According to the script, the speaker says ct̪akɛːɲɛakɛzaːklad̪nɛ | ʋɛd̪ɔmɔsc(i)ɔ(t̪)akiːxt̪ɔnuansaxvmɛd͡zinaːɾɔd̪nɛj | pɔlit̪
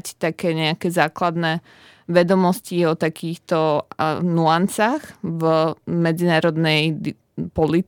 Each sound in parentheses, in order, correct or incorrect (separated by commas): correct, correct